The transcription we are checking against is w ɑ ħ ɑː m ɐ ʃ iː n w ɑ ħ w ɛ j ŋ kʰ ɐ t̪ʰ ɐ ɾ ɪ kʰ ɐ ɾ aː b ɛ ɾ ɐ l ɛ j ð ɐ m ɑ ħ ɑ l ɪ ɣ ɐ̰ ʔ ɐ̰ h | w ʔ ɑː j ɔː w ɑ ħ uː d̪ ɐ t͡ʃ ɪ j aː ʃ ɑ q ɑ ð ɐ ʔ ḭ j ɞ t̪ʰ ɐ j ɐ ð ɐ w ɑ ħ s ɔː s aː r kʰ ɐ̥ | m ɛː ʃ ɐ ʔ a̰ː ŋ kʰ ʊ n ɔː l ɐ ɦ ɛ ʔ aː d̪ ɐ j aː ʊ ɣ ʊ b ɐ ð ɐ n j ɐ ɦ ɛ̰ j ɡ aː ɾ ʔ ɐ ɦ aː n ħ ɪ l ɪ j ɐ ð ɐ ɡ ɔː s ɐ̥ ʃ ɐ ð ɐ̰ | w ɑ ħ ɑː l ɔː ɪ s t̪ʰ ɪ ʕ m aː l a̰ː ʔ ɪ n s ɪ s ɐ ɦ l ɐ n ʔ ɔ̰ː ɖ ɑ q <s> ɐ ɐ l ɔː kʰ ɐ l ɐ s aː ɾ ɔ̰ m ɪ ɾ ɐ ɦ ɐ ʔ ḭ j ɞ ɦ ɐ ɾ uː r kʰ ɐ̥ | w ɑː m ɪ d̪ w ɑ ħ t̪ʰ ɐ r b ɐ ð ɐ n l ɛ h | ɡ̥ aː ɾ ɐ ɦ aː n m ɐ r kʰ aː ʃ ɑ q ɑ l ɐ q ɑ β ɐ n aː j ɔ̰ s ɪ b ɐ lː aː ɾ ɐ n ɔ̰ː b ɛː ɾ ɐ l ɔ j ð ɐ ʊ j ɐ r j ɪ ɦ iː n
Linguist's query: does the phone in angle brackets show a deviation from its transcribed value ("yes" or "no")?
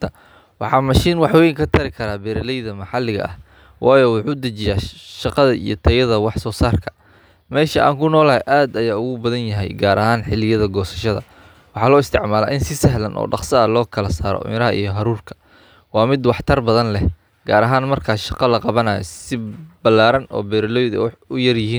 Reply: no